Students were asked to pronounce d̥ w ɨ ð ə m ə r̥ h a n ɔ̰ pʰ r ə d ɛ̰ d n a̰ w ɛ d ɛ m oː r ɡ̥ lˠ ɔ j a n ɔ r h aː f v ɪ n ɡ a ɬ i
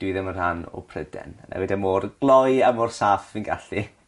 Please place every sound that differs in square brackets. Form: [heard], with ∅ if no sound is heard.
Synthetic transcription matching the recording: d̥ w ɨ ð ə m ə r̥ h a n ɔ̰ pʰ r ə d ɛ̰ [n] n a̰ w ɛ d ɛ m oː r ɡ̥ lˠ ɔ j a [m] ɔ r [s] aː f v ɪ n ɡ a ɬ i

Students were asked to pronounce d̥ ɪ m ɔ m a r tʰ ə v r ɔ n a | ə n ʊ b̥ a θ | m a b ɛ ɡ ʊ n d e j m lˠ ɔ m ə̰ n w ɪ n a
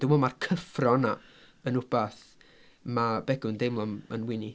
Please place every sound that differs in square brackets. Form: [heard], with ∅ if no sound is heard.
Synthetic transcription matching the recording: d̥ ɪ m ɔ m a r [kʰ] ə [f] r ɔ n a | ə n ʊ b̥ a θ | m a b ɛ ɡ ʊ n d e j m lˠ ɔ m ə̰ n w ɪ n [i]

